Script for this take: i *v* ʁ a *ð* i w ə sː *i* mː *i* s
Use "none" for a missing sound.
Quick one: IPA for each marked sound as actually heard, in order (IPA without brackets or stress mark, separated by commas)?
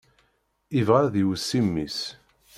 v, ð, i, i